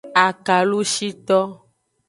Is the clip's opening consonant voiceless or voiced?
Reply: voiceless